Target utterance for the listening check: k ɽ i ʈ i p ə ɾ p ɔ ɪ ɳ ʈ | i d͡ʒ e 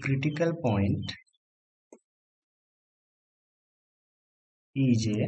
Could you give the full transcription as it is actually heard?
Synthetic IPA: k ɾ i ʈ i k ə l p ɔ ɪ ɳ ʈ | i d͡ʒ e